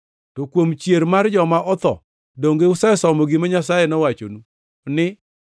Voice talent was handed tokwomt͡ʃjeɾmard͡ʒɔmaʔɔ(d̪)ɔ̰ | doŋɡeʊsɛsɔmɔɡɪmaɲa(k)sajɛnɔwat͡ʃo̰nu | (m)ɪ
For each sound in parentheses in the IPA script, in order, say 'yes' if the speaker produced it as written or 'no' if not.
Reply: no, no, no

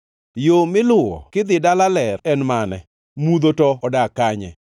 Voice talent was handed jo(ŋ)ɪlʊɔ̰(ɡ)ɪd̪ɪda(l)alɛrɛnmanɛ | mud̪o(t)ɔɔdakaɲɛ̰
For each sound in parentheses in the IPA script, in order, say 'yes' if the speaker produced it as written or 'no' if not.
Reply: no, no, yes, yes

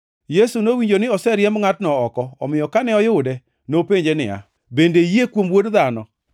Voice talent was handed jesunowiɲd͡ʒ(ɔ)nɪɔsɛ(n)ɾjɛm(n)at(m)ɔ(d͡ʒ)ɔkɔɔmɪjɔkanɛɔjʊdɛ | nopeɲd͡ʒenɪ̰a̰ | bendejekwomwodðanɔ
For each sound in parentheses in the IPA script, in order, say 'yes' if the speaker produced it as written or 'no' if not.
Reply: no, no, no, no, no

